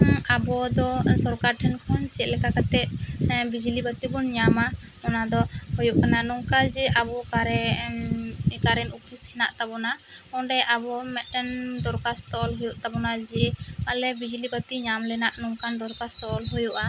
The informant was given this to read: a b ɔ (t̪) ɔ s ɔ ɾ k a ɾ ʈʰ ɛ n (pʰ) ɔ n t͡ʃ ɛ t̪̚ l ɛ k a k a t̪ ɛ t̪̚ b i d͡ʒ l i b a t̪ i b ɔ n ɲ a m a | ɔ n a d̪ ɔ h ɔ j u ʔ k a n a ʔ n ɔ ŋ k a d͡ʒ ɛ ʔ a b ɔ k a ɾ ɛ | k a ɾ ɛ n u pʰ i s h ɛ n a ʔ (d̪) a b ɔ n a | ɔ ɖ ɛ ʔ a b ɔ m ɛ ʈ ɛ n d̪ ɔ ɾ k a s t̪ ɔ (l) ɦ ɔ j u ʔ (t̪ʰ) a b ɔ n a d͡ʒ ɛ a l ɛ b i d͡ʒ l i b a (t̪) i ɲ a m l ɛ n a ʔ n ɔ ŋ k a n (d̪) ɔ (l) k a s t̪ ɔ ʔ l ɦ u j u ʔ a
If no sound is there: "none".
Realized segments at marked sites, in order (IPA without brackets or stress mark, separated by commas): d̪, kʰ, t̪, l, t̪, t̪, d̪, ɾ